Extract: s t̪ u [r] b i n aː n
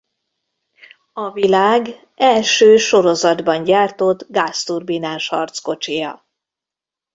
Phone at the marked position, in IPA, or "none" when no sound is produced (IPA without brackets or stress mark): r